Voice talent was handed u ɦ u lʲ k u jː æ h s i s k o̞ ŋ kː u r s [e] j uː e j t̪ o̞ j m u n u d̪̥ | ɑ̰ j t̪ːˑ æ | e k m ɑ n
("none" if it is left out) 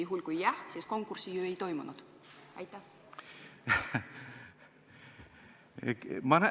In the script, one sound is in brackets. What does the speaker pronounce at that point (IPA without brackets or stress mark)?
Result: i